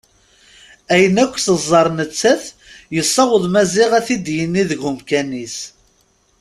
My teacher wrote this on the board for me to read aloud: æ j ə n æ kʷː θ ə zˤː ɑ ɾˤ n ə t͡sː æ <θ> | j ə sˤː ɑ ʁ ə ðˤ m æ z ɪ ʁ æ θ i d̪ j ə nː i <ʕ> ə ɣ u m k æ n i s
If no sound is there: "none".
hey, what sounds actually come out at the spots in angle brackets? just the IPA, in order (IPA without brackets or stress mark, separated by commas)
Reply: θ, ð